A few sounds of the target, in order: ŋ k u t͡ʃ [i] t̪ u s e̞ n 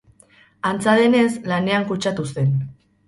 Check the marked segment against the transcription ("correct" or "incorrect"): incorrect